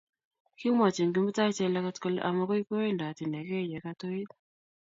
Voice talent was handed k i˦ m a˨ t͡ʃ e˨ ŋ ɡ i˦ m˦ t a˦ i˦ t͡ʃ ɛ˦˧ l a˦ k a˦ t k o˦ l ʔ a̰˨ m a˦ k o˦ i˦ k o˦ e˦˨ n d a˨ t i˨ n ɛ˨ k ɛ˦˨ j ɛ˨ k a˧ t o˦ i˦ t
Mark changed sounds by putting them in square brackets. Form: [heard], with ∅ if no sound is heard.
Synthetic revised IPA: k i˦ m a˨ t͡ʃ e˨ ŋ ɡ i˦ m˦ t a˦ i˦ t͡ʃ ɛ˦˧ l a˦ k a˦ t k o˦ l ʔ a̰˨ m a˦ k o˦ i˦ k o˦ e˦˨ n d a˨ t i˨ n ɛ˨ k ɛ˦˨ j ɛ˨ k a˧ t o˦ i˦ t